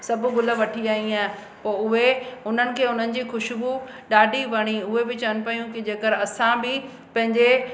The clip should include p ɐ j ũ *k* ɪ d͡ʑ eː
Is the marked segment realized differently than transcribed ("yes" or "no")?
no